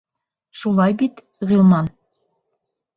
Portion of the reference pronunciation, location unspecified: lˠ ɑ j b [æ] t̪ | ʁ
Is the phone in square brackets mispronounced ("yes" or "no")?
yes